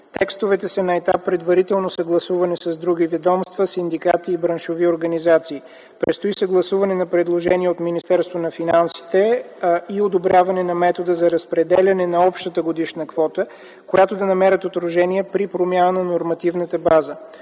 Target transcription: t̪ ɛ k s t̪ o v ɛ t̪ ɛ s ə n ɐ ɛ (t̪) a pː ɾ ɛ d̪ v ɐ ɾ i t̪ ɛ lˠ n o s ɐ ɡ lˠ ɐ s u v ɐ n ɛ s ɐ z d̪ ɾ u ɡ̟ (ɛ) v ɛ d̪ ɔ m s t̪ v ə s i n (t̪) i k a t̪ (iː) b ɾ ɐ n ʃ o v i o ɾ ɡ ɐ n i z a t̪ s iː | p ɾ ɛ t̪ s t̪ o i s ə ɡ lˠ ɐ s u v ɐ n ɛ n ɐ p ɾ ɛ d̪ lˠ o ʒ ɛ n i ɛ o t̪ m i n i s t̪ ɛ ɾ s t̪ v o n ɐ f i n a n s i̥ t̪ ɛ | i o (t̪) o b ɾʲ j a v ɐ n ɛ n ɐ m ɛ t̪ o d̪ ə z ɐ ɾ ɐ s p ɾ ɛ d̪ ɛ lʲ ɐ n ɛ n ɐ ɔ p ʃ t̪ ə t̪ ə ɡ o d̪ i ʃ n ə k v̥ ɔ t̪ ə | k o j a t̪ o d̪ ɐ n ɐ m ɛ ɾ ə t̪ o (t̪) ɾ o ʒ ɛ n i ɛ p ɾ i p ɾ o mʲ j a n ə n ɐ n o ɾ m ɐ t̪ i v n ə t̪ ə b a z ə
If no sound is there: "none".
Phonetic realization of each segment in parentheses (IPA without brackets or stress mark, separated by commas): t̪, i, d̪, iː, d̪, t̪